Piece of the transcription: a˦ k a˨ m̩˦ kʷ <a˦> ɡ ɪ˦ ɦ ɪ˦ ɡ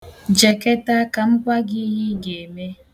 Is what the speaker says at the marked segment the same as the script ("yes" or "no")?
yes